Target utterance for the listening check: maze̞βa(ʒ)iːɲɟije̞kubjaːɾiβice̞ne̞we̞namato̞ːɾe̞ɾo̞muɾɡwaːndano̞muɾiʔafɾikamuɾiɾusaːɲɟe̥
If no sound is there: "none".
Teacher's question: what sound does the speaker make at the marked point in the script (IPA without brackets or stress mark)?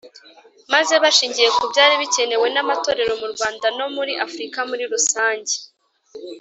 ʃ